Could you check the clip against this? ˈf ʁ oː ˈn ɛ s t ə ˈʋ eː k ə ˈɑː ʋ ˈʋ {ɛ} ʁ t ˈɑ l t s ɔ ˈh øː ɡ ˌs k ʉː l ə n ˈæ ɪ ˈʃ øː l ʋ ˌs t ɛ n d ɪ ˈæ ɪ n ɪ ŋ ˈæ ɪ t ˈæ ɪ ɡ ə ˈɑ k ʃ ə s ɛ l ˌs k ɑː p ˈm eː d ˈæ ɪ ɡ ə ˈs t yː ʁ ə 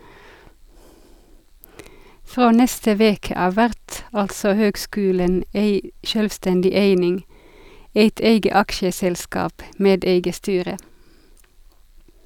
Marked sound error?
yes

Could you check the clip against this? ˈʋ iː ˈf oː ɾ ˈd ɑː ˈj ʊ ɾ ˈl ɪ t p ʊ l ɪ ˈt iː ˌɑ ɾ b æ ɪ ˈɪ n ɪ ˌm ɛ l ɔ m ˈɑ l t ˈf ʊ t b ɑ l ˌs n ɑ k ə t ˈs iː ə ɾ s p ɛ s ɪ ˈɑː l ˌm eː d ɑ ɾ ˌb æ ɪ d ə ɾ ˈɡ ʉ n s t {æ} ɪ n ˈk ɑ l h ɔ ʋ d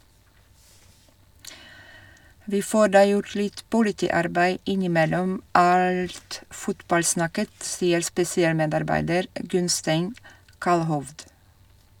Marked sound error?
yes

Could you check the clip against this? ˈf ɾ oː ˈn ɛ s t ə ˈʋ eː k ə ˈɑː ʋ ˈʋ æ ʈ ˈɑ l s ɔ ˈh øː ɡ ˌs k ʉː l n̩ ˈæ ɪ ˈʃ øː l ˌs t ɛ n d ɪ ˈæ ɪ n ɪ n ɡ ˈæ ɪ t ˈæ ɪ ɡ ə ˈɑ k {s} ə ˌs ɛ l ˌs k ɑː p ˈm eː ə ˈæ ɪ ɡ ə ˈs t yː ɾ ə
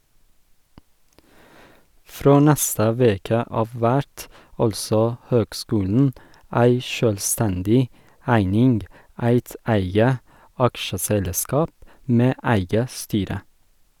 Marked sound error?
yes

